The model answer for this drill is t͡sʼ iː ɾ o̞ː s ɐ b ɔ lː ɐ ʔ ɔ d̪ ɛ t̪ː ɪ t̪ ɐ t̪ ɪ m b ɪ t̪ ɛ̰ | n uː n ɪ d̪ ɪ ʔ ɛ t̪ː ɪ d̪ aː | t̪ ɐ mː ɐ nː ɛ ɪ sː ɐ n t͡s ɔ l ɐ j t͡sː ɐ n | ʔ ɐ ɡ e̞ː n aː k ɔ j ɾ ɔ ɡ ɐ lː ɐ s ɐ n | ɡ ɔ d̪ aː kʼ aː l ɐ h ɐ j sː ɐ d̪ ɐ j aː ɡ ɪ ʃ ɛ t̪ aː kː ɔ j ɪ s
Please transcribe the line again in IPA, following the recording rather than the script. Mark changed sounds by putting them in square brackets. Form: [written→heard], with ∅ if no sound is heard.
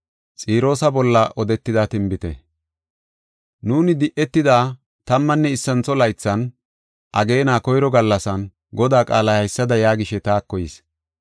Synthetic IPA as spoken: t͡sʼ iː ɾ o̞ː s ɐ b ɔ lː ɐ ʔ ɔ d̪ ɛ t̪ː ɪ [t̪→d̪] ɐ t̪ ɪ m b ɪ t̪ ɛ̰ | n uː n ɪ d̪ ɪ ʔ ɛ t̪ː ɪ d̪ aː | t̪ ɐ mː ɐ nː ɛ ɪ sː ɐ n t͡s ɔ l ɐ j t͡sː ɐ n | ʔ ɐ ɡ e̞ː n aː k ɔ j ɾ ɔ ɡ ɐ lː ɐ s ɐ n | ɡ ɔ d̪ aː kʼ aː l ɐ h ɐ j sː ɐ d̪ ɐ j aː ɡ ɪ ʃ ɛ t̪ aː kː ɔ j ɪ s